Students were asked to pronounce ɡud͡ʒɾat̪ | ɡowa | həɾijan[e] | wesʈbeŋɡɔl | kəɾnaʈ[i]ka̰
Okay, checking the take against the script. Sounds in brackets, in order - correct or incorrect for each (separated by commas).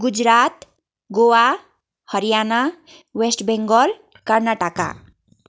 incorrect, incorrect